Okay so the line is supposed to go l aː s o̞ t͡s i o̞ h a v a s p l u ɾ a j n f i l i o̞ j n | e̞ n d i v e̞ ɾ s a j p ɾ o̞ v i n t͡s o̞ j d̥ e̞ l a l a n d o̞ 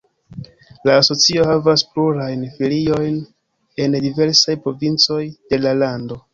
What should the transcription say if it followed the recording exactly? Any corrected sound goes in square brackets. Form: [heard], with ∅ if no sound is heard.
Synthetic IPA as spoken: l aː s o̞ t͡s i o̞ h a v a s p l u ɾ a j n f i l i o̞ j n | e̞ n d i v e̞ ɾ s a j p ɾ o̞ v i n t͡s o̞ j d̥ e̞ l a l a n d o̞